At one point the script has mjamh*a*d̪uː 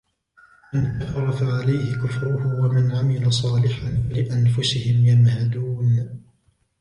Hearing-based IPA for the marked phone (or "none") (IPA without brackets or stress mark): a